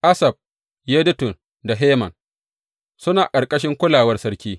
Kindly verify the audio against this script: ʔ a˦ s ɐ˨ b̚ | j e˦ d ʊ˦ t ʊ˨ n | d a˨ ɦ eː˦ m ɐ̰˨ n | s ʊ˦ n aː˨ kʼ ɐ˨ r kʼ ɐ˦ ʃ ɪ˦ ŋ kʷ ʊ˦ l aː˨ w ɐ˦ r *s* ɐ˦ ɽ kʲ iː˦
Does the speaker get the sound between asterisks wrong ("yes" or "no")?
no